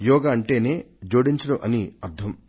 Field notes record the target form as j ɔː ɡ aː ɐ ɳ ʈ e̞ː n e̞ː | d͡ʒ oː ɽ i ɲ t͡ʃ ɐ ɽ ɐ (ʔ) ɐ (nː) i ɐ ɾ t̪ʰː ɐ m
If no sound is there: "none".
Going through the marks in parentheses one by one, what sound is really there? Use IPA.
ʔ, n

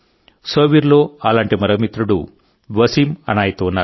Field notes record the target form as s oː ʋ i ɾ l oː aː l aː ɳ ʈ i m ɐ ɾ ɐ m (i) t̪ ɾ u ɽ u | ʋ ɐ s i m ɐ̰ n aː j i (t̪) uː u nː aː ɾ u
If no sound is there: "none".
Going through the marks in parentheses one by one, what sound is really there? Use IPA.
i, t̪

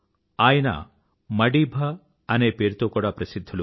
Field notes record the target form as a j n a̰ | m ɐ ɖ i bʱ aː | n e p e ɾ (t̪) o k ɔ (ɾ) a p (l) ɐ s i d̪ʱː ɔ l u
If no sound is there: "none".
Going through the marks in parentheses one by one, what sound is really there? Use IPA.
t̪, ɽ, ɾ

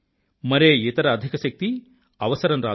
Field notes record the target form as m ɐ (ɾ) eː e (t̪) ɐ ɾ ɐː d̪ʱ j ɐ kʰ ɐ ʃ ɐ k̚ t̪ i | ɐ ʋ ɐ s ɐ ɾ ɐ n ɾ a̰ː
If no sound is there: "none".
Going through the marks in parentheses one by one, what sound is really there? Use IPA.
ɾ, t̪

